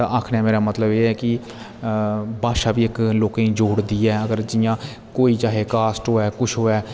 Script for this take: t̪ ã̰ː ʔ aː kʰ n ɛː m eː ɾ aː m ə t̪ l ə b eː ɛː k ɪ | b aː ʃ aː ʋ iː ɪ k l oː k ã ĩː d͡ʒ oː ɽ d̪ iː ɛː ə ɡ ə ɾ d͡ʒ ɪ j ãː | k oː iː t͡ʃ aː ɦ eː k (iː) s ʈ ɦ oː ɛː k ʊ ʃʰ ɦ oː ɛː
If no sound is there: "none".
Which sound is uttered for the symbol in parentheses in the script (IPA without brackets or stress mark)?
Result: aː